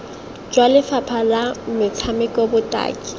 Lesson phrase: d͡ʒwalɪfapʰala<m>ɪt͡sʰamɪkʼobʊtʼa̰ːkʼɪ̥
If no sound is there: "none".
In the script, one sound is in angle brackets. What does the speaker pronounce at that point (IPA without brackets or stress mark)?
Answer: m